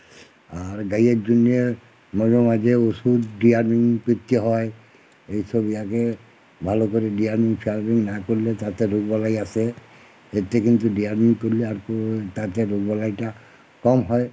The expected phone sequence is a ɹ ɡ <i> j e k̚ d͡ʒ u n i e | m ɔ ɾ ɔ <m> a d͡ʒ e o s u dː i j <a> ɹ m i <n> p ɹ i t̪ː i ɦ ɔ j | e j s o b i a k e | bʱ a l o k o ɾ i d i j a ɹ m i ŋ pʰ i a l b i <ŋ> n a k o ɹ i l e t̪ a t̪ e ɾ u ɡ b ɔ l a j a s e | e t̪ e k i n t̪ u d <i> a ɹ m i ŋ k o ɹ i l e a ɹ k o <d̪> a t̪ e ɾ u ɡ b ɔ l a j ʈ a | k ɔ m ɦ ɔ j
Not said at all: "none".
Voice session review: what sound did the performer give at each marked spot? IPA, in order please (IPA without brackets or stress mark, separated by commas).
a, m, a, ŋ, ŋ, i, t̪